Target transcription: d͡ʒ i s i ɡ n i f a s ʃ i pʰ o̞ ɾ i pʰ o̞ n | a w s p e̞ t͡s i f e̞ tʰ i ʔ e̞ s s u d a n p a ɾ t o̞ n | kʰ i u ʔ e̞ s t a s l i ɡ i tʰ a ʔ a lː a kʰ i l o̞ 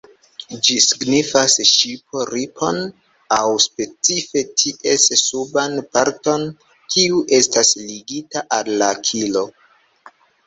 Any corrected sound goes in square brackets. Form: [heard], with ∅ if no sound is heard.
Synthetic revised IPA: d͡ʒ i s i ɡ n i f a s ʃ i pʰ o̞ ɾ i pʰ o̞ n | a w s p e̞ t͡s i f e̞ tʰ i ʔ e̞ s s u [b] a n p a ɾ t o̞ n | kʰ i u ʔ e̞ s t a s l i ɡ i [t] a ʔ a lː a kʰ i l o̞

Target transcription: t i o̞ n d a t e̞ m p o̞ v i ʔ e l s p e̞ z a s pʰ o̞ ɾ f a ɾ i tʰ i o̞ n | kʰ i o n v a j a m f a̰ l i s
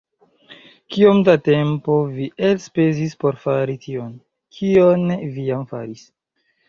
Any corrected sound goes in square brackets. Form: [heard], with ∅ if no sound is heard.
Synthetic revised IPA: [k] i o̞ [m] d a t e̞ m p o̞ v i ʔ e l s p e̞ z [i] s [p] o̞ ɾ f a ɾ i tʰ i o̞ n | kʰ i o n v [i] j a m f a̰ [ɾ] i s

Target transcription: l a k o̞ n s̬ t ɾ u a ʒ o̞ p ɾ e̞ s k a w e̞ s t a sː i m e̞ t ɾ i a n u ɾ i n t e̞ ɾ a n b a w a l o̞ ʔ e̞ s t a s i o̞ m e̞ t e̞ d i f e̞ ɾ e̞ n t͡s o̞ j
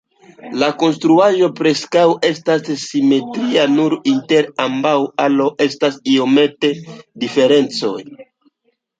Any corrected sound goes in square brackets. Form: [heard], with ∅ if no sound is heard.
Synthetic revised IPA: l a k o̞ n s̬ t ɾ u a ʒ o̞ p ɾ e̞ s k a w e̞ s t a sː i m e̞ t ɾ i a n u ɾ i n t e̞ ɾ a [m] b a w a l o̞ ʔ e̞ s t a s i o̞ m e̞ t e̞ d i f e̞ ɾ e̞ n t͡s o̞ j

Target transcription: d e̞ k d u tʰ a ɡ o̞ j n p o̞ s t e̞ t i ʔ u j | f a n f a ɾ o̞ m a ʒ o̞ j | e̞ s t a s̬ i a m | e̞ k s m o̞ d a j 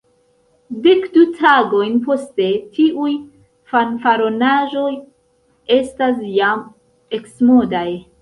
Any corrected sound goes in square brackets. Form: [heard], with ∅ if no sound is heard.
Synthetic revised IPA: d e̞ k d u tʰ a ɡ o̞ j n p o̞ s t e̞ t i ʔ u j | f a n f a ɾ o̞ [n] a ʒ o̞ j | e̞ s t a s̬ [j] a m | e̞ k s m o̞ d a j

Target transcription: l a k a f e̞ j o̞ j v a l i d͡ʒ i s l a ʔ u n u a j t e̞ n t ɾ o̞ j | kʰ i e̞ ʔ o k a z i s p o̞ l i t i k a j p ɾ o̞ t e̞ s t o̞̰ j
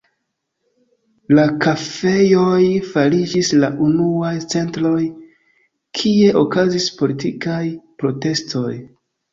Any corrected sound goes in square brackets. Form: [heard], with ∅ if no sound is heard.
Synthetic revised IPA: l a k a f e̞ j o̞ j [f] a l i d͡ʒ i s l a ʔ u n u a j [t͡s] e̞ n t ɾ o̞ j | kʰ i e̞ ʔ o k a z i s p o̞ l i t i k a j p ɾ o̞ t e̞ s t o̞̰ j

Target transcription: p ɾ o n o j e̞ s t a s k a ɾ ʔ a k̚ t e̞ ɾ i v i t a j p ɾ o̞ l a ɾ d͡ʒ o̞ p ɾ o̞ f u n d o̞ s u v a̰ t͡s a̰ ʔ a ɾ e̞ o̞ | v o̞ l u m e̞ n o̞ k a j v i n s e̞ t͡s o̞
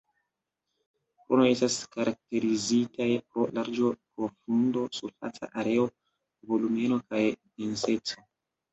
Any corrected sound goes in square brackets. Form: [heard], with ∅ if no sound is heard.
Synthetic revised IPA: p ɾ o n o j e̞ s t a s k a ɾ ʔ a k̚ t e̞ ɾ i [z] i t a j p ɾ o̞ l a ɾ d͡ʒ o̞ p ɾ o̞ f u n d o̞ s u [f] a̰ t͡s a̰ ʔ a ɾ e̞ o̞ | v o̞ l u m e̞ n o̞ k a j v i n s e̞ t͡s o̞

